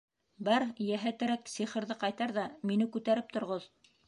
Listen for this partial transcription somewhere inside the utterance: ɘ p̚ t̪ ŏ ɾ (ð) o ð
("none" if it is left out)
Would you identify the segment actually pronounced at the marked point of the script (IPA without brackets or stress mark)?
ʁ